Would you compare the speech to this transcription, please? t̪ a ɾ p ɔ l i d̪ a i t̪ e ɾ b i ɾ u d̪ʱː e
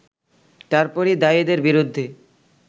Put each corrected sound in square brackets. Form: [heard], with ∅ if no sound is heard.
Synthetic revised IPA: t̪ a ɾ p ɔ [ɾ] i d̪ a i [d̪] e ɾ b i ɾ u d̪ʱː e